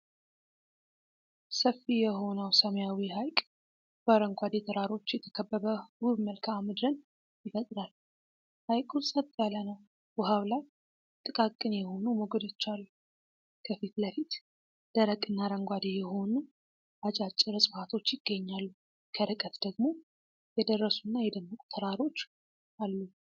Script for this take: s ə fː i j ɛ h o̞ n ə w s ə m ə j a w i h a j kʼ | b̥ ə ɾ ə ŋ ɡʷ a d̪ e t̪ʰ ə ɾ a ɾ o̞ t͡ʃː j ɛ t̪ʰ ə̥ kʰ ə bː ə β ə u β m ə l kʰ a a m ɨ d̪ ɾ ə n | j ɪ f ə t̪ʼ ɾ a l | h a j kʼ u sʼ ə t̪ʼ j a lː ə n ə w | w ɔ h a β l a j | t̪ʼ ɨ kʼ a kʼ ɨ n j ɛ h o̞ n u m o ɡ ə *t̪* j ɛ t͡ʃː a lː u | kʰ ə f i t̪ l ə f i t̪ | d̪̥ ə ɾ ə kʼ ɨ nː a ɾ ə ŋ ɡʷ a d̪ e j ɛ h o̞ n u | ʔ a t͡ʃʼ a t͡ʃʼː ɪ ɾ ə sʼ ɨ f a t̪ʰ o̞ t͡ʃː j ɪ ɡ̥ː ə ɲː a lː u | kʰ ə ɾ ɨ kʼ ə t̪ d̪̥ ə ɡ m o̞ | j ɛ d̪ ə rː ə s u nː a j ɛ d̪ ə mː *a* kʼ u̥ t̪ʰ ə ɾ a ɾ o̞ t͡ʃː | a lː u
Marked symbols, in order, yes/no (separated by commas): no, no